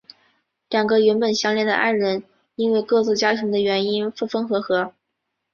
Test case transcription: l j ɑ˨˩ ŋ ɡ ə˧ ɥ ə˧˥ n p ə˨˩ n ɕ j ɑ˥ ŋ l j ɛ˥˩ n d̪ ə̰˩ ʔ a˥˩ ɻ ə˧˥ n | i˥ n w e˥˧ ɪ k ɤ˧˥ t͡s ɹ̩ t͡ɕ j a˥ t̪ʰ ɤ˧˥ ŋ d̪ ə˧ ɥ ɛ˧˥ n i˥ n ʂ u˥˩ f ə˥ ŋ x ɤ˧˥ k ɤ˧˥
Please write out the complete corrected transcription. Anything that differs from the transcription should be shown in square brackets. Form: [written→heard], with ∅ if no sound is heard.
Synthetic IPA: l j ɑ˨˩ ŋ ɡ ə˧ ɥ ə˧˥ n p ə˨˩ n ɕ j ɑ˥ ŋ l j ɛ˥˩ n d̪ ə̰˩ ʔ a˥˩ ɻ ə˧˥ n | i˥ n w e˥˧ ɪ k [ɤ˧˥→ɤ˥˧] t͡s ɹ̩ t͡ɕ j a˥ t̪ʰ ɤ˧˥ ŋ d̪ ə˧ ɥ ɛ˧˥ n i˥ n [ʂ→f] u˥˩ f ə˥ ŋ x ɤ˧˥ [k→x] ɤ˧˥